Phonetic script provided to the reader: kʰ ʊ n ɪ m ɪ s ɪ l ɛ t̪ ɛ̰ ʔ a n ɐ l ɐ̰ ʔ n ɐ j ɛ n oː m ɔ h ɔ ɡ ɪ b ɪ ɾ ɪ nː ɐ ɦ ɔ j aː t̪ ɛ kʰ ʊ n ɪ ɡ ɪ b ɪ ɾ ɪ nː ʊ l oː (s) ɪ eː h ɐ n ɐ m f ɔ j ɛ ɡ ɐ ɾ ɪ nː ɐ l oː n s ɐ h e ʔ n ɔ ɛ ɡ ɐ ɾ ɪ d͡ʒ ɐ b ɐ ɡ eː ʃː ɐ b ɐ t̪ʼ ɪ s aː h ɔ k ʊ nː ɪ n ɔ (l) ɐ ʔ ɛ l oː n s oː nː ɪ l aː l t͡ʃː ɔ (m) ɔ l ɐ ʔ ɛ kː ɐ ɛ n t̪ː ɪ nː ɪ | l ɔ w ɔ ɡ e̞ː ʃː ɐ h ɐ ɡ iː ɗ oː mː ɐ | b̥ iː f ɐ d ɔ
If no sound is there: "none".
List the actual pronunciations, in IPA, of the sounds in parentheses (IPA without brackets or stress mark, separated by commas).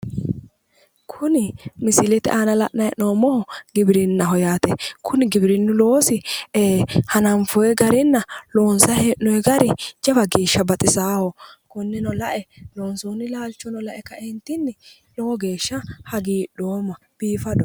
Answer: s, l, n